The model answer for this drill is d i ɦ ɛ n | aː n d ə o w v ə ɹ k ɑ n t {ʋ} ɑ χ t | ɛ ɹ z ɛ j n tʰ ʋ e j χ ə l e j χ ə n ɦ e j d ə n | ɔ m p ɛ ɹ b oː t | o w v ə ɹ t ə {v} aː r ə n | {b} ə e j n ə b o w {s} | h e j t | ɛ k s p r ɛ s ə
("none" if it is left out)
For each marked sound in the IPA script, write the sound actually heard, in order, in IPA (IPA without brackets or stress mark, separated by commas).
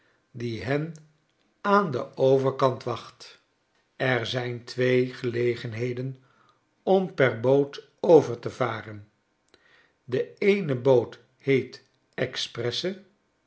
ʋ, v, d, t